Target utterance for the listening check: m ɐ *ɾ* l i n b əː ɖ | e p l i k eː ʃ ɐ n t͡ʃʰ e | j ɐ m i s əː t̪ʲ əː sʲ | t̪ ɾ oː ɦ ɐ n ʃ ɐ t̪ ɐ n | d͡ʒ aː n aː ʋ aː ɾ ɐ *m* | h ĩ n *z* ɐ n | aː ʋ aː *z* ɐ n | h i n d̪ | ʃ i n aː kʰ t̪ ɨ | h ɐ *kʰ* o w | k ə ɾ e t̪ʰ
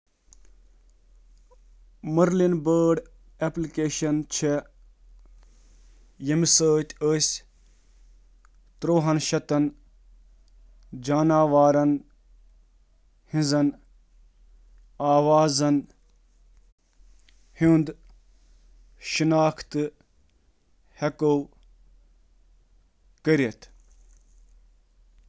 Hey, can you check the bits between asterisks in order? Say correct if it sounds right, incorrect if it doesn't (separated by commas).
correct, incorrect, correct, correct, incorrect